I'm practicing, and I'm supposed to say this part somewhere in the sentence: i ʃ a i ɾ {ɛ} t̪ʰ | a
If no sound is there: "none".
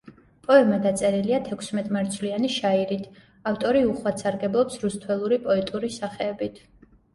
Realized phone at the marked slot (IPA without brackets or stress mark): i